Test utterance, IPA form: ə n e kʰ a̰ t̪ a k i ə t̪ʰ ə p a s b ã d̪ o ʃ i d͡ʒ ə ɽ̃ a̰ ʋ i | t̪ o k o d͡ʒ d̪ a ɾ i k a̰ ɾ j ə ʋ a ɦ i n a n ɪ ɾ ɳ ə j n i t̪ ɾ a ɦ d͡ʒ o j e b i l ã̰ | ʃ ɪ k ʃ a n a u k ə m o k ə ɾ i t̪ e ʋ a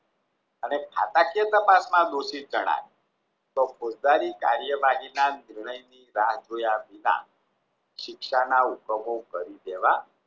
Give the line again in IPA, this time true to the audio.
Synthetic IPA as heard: ə n e kʰ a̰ t̪ a k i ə t̪ ə p a s m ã d̪ o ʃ i d͡ʒ ə ɽ̃ a̰ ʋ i | t̪ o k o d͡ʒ d̪ a ɾ i k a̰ ɾ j ə ʋ a ɦ i n a n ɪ ɾ ɳ ə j n i ɾ a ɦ d͡ʒ o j a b i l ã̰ | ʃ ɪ k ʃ a n a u k ə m o k ə ɾ i d̪ e ʋ a